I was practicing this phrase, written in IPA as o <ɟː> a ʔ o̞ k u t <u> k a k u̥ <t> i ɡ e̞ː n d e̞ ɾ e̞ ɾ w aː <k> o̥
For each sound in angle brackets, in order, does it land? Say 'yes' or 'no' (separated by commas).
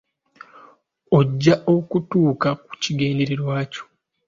yes, no, no, no